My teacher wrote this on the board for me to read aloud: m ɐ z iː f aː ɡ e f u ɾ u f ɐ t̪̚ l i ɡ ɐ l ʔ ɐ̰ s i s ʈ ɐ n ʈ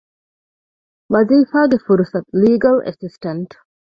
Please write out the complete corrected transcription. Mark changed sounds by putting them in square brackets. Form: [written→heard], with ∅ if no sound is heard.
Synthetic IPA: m ɐ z iː f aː ɡ e f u ɾ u [f→s] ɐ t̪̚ l [i→iː] ɡ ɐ l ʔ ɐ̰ s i s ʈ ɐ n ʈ